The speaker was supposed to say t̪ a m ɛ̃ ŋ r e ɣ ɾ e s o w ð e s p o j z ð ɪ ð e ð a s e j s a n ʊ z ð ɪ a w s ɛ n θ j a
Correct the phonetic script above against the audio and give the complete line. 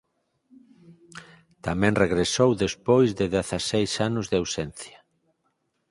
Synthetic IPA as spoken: t̪ a m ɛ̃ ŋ r e ɣ ɾ e s o w ð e s p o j z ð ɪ ð e θ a s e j s a n ʊ z ð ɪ a w s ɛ n θ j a